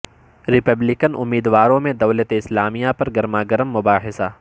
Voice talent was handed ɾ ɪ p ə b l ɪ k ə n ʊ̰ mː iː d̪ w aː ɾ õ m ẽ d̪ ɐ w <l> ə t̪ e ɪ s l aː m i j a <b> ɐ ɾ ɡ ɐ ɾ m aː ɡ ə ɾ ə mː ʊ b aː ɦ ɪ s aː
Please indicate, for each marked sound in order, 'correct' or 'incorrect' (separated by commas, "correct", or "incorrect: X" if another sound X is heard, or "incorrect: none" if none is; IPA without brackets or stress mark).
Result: correct, incorrect: p